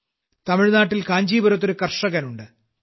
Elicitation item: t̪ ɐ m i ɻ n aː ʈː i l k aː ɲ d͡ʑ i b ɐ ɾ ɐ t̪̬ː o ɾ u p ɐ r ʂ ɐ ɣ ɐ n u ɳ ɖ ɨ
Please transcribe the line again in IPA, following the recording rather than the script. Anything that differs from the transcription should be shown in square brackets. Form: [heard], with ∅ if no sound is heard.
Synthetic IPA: t̪ ɐ m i ɻ n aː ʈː i l k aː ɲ d͡ʑ [iː] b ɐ ɾ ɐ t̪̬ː o ɾ u [k] ɐ r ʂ ɐ ɣ ɐ n u ɳ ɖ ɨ